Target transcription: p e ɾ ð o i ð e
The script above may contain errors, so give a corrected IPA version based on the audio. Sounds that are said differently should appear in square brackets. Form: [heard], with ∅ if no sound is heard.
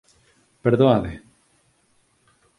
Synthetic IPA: p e ɾ ð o [a] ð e